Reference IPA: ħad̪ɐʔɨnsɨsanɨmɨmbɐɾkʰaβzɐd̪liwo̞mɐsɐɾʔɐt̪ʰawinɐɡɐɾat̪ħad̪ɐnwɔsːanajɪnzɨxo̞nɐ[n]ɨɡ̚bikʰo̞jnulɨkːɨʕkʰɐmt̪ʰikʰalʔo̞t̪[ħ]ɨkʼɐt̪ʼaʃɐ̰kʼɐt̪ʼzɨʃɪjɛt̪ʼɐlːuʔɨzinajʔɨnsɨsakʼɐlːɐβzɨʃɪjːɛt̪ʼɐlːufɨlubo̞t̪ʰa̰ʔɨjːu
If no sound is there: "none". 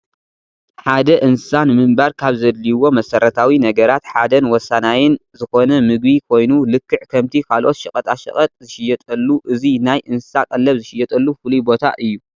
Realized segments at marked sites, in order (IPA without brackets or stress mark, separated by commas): m, ʃ